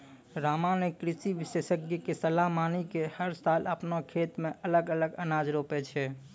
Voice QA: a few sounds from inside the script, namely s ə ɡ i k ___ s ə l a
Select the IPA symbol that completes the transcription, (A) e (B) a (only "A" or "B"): A